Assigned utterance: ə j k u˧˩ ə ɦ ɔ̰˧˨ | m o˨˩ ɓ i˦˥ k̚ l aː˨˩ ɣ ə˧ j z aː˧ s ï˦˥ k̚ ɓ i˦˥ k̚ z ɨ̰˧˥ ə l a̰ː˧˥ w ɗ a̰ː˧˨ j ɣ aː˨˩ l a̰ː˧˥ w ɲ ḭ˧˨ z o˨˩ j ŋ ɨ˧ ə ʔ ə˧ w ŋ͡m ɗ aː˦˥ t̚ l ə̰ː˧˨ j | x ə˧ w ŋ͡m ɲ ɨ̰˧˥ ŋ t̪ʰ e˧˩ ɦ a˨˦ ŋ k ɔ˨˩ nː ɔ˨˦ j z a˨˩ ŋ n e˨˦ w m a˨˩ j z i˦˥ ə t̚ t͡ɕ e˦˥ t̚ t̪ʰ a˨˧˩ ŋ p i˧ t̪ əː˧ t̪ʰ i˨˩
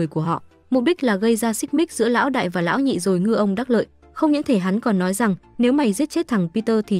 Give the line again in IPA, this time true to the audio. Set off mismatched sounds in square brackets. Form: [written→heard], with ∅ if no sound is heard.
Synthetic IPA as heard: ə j k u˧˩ ə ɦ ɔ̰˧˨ | m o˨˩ ɓ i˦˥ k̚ l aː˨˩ ɣ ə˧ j z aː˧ s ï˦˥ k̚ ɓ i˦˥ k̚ z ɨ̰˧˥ ə l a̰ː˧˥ w ɗ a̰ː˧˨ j [ɣ→v] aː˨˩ l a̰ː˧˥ w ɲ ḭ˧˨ z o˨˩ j ŋ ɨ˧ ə ʔ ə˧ w ŋ͡m ɗ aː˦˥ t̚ l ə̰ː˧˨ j | x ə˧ w ŋ͡m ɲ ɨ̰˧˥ ŋ t̪ʰ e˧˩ ɦ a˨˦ [ŋ→n] k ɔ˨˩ nː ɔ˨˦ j z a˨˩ ŋ n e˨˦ w m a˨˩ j z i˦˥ ə t̚ t͡ɕ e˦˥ t̚ t̪ʰ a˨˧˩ ŋ p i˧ t̪ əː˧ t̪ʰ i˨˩